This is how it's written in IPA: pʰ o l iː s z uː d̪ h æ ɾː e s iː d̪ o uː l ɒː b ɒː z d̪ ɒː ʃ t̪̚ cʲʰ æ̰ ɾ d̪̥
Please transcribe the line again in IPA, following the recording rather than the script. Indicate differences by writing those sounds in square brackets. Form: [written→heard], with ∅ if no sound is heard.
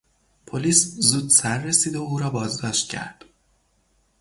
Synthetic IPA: pʰ o l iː s z uː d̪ [h→s] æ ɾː e s iː d̪ o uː [l→ɾ] ɒː b ɒː z d̪ ɒː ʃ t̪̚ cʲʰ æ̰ ɾ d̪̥